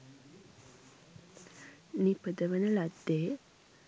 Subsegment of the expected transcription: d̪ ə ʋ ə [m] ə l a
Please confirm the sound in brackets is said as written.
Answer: no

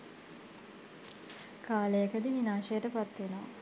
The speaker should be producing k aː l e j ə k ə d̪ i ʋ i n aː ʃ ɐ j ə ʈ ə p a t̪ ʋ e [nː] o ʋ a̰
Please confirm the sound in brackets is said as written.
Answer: no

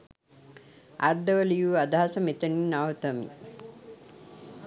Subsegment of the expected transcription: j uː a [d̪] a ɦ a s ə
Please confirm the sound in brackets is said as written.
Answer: yes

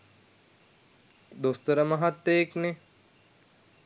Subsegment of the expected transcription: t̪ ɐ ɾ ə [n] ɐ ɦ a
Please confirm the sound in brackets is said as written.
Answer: no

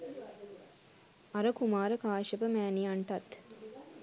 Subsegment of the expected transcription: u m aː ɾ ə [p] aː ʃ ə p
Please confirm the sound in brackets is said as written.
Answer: no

